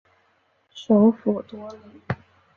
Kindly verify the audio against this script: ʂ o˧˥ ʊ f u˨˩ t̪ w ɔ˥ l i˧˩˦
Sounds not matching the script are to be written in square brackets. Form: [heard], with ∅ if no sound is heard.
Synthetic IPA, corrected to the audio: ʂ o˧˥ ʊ f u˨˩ t̪ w ɔ˥ l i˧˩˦